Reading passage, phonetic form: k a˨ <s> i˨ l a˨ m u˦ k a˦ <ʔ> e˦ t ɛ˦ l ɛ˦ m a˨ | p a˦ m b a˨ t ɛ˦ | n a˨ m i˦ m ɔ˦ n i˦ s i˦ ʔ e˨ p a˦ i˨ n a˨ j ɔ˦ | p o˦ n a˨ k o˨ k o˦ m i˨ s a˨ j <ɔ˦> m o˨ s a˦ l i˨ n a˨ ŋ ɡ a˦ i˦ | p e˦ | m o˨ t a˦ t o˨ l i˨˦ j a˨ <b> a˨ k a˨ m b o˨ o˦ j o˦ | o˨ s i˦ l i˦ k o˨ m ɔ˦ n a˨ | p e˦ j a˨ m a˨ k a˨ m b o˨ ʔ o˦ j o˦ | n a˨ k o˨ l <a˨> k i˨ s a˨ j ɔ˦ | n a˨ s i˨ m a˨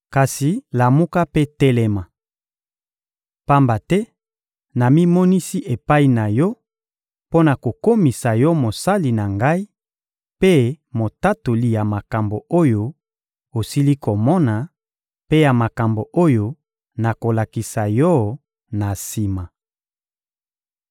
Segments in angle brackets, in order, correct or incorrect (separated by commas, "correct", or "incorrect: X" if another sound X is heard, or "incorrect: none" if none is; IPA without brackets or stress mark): correct, incorrect: p, correct, incorrect: m, correct